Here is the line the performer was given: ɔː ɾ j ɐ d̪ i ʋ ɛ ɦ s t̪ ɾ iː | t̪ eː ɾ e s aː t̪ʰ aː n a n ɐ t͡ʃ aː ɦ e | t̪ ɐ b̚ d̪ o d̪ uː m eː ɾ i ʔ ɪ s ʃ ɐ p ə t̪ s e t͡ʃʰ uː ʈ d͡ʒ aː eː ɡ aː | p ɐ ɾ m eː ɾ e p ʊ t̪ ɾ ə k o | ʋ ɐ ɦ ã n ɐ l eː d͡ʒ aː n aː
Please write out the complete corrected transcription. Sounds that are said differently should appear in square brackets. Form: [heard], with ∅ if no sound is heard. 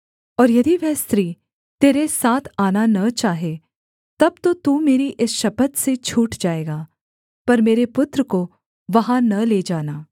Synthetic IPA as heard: ɔː ɾ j ɐ d̪ i ʋ ɛ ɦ s t̪ ɾ iː | t̪ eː ɾ e s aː t̪ʰ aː n a n ɐ t͡ʃ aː ɦ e | t̪ ɐ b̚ [t̪] o [t̪] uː m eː ɾ i ʔ ɪ s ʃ ɐ p ə t̪ s e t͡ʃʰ uː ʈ d͡ʒ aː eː ɡ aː | p ɐ ɾ m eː ɾ e p ʊ t̪ ɾ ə k o | ʋ ɐ ɦ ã n ɐ l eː d͡ʒ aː n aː